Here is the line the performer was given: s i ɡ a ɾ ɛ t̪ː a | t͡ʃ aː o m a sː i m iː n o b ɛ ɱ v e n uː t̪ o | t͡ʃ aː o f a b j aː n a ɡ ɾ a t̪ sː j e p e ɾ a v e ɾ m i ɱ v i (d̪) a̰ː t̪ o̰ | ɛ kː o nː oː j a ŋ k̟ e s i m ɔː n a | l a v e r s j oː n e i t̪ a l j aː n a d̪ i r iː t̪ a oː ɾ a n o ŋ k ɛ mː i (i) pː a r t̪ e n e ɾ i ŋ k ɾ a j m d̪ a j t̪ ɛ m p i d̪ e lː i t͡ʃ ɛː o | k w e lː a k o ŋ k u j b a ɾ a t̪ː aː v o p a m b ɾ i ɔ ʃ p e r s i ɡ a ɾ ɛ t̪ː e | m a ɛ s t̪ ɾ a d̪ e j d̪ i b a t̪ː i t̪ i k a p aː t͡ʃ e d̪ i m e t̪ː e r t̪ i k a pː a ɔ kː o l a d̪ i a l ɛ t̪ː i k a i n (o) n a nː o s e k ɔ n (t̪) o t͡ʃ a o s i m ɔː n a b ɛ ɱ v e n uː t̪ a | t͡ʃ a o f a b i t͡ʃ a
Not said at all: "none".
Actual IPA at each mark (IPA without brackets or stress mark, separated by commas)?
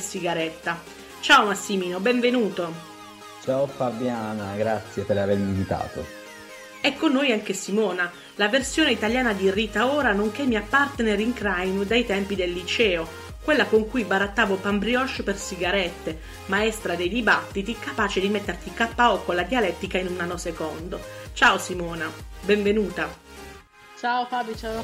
t̪, a, u, d̪